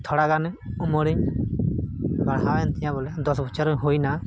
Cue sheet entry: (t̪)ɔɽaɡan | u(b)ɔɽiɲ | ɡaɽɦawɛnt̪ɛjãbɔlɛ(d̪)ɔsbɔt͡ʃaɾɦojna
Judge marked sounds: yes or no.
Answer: no, no, yes

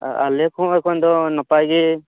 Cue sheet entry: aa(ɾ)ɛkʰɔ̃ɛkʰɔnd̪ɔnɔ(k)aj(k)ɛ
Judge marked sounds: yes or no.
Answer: no, no, no

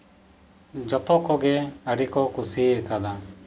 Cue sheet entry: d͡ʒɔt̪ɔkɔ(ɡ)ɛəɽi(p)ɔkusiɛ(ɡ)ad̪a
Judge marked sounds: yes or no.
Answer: yes, no, no

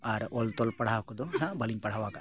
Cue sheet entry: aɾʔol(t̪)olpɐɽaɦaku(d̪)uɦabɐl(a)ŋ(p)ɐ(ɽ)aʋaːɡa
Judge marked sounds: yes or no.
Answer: yes, yes, no, yes, yes

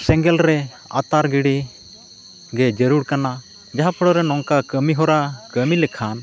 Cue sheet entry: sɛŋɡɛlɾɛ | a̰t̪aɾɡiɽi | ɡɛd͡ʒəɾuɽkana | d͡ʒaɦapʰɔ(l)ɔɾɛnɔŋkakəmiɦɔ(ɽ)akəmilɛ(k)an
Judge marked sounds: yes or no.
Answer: no, no, no

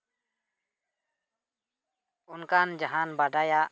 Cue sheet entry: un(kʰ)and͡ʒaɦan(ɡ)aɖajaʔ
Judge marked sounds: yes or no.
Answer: no, no

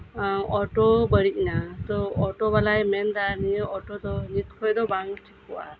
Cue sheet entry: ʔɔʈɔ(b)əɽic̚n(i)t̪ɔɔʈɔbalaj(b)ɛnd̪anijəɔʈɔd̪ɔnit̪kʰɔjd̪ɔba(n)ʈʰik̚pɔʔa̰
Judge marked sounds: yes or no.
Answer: yes, no, no, no

